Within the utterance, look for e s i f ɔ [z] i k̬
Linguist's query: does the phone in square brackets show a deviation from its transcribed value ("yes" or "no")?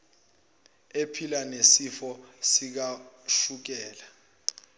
yes